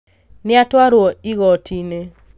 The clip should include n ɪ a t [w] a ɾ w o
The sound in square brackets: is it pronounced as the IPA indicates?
yes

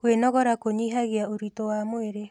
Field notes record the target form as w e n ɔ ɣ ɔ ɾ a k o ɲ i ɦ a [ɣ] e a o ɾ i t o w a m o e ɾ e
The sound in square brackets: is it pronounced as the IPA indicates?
yes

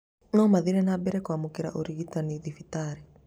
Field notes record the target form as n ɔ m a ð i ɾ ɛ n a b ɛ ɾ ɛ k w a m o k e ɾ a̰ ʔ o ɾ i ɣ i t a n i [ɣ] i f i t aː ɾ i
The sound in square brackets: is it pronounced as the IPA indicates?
no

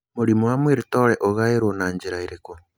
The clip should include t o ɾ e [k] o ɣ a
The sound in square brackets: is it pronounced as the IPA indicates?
no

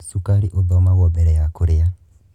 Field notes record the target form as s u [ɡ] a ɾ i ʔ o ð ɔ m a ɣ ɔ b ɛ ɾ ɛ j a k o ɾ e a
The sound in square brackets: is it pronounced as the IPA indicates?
no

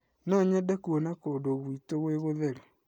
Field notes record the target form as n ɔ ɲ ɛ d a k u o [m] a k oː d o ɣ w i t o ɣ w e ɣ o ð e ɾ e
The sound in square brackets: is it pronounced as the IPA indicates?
no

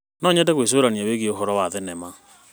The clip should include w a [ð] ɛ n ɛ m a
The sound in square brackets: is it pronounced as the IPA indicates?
yes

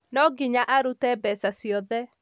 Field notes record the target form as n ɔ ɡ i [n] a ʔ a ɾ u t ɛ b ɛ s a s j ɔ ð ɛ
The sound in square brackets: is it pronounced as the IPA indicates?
no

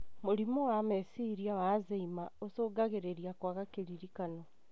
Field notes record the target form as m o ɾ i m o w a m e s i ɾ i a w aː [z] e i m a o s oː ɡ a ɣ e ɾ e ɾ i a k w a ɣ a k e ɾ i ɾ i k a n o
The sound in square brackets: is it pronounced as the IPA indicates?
yes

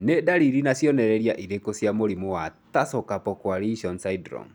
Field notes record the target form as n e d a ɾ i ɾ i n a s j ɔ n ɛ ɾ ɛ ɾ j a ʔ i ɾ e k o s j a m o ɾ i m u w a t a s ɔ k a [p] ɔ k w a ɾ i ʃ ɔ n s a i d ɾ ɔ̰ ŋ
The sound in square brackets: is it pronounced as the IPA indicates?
yes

